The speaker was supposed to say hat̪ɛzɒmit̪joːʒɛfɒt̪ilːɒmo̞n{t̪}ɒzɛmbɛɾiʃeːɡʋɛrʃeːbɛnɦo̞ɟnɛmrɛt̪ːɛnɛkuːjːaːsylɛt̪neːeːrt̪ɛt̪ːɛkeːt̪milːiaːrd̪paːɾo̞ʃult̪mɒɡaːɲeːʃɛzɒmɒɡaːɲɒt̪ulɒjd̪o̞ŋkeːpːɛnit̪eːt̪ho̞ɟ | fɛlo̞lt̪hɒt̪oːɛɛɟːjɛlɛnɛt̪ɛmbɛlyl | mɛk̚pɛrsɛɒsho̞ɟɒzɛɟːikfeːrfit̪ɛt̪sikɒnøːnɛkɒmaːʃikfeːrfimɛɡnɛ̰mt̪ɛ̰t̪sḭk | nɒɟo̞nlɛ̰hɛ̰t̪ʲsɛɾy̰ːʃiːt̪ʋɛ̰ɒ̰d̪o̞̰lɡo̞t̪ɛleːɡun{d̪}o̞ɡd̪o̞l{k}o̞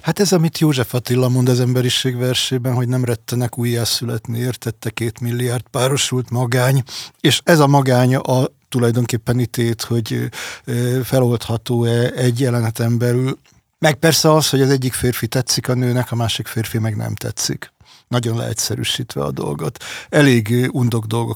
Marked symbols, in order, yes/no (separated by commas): no, yes, no